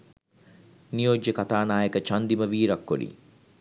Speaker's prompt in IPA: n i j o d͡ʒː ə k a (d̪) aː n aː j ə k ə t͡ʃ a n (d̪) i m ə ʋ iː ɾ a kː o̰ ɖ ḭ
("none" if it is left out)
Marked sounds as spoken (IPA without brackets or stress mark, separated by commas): t̪, d̪